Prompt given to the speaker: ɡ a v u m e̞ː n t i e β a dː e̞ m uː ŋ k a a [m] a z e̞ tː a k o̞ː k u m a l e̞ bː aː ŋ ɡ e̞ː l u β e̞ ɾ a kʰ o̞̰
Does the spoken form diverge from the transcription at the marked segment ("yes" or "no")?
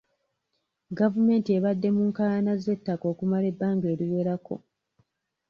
yes